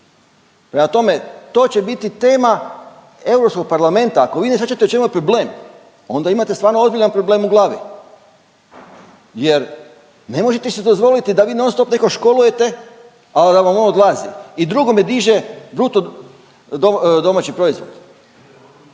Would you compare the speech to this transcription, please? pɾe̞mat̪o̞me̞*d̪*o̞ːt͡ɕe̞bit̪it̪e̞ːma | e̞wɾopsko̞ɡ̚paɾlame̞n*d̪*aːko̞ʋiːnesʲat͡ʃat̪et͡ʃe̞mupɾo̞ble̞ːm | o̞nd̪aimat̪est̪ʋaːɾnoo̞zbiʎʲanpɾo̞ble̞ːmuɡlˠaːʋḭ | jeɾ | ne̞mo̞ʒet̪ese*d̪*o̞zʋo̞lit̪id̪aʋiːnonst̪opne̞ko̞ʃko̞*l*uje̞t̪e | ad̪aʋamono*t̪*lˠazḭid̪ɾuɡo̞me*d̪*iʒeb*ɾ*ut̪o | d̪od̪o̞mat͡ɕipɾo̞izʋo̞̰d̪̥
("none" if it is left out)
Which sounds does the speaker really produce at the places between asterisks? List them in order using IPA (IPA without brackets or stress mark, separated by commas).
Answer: t̪, t̪, d̪, l, d̪, d̪, ɾ